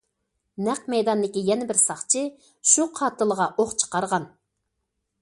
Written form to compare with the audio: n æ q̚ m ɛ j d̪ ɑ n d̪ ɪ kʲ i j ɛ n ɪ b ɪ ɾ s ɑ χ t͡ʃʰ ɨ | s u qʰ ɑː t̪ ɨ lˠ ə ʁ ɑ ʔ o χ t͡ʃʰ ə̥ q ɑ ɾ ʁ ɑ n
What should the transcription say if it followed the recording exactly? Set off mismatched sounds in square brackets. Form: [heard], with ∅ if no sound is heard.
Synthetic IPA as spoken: n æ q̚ m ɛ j d̪ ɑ n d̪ ɪ kʲ i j ɛ n ɪ b ɪ ɾ s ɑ χ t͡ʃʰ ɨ | [ʃ] u qʰ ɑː t̪ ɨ lˠ ə ʁ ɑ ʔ o χ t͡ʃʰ ə̥ q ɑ ɾ ʁ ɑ n